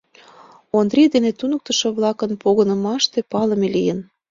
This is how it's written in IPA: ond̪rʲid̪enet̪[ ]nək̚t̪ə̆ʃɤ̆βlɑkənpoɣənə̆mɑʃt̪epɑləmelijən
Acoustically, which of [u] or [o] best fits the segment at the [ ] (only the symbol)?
u